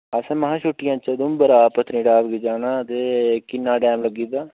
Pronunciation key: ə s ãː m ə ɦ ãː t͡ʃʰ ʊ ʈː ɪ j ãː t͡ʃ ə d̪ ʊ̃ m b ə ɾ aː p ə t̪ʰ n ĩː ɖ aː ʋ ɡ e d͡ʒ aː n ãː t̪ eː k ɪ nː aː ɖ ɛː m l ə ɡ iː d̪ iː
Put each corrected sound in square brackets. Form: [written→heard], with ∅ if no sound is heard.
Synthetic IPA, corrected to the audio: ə s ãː m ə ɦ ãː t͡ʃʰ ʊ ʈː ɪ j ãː t͡ʃ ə d̪ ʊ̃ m b ə ɾ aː p ə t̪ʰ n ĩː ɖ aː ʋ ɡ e d͡ʒ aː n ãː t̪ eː k ɪ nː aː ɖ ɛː m l ə ɡ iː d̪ [iː→aː]

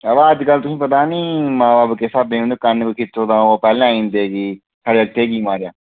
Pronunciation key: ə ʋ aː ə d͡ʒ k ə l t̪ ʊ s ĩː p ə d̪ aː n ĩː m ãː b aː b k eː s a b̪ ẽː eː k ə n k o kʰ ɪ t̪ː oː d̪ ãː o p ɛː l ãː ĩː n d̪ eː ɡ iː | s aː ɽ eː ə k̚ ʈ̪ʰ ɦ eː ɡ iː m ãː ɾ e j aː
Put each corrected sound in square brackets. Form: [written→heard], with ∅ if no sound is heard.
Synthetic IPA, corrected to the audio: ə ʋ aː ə d͡ʒ k ə l t̪ ʊ s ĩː p ə [d̪→t̪] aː n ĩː m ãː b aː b k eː s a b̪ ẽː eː k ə n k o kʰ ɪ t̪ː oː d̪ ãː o p ɛː l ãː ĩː n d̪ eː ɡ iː | s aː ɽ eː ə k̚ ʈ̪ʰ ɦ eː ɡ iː m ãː ɾ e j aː

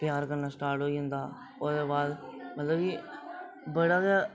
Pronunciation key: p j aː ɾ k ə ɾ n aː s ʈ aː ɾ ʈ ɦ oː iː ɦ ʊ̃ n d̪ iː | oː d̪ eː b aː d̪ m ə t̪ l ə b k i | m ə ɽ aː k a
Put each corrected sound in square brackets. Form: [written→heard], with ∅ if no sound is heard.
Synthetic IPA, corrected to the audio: p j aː ɾ k ə ɾ n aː s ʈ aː ɾ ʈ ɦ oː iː ɦ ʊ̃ n d̪ [iː→aː] | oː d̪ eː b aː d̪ m ə t̪ l ə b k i | [m→b] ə ɽ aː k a

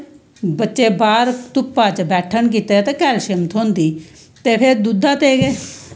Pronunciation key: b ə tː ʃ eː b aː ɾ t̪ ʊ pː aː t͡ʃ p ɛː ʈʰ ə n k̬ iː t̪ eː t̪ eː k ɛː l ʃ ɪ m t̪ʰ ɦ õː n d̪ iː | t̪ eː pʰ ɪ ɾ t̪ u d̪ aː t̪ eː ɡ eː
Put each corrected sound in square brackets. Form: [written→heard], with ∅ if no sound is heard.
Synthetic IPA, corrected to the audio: b ə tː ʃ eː b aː ɾ t̪ ʊ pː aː t͡ʃ [p→b] ɛː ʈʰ ə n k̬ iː t̪ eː t̪ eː k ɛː l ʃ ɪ m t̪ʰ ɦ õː n d̪ iː | t̪ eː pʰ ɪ ɾ [t̪→d̪] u d̪ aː t̪ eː ɡ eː

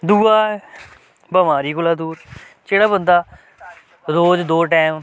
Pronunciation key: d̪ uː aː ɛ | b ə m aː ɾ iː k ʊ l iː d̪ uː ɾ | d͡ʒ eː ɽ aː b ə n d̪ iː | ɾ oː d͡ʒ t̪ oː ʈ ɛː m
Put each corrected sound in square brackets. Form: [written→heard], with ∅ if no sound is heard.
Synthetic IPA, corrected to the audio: d̪ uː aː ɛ | b ə m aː ɾ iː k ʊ l [iː→aː] d̪ uː ɾ | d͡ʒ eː ɽ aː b ə n d̪ [iː→aː] | ɾ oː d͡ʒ [t̪→d̪] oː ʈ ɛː m

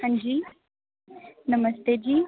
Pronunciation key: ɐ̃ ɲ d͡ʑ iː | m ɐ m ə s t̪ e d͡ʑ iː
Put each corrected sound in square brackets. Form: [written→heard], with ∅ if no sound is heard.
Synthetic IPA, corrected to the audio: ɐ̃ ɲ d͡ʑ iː | [m→n] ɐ m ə s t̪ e d͡ʑ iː

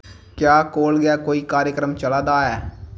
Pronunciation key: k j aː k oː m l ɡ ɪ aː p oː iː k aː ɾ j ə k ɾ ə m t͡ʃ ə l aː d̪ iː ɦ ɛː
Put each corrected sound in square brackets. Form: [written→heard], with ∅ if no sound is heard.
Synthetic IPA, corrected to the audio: k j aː k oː [m→∅] l ɡ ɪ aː [p→k] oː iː k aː ɾ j ə k ɾ ə m t͡ʃ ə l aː d̪ [iː→aː] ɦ ɛː

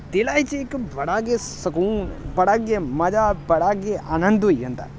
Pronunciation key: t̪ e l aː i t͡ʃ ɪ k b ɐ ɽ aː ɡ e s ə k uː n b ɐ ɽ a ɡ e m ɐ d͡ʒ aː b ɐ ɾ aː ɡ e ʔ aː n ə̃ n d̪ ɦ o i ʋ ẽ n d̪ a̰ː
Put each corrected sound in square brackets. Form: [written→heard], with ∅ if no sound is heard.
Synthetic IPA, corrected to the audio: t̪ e l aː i t͡ʃ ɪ k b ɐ ɽ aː ɡ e s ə k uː n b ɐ ɽ a ɡ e m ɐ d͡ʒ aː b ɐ [ɾ→ɽ] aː ɡ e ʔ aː n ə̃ n d̪ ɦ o i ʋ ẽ n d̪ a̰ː

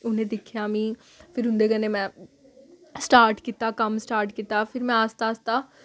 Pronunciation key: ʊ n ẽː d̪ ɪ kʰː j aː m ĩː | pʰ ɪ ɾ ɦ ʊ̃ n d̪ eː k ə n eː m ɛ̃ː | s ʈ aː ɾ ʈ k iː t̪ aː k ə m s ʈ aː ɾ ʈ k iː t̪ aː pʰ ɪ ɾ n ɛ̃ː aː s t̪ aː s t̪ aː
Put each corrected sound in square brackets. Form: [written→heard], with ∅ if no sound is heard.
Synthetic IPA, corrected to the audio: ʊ n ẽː d̪ ɪ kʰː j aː m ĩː | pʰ ɪ ɾ ɦ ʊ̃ n d̪ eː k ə n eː m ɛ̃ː | s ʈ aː ɾ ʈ k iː t̪ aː k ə m s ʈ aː ɾ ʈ k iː t̪ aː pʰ ɪ ɾ [n→m] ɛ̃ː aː s t̪ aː s t̪ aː

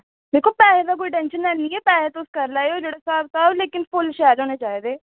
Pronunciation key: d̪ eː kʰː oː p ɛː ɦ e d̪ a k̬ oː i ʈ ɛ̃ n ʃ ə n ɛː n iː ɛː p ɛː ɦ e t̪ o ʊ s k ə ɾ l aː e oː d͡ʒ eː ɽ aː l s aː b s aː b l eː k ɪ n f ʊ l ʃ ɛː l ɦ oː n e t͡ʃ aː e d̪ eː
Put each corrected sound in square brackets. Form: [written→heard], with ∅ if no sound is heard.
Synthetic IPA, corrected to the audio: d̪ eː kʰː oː p ɛː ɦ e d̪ a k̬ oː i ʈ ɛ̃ n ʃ ə n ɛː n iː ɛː p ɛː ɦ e t̪ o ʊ s k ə ɾ l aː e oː d͡ʒ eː ɽ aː [l→∅] s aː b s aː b l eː k ɪ n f ʊ l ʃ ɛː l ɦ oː n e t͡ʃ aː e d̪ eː

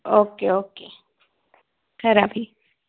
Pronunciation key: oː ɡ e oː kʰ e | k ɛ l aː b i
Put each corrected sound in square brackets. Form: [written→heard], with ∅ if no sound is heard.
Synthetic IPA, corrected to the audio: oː [ɡ→k] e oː [kʰ→k] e | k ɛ [l→ɾ] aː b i

